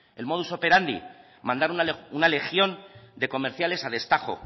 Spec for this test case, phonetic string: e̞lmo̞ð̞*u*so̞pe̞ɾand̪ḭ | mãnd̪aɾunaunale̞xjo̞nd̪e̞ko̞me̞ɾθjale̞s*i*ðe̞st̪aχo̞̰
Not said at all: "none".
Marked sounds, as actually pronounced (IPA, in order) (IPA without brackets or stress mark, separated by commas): u, a